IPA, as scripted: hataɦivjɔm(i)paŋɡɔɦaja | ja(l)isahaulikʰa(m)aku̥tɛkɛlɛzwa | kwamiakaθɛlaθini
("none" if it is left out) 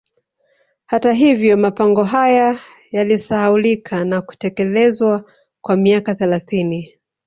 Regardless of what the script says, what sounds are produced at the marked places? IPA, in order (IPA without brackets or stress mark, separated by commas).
a, l, n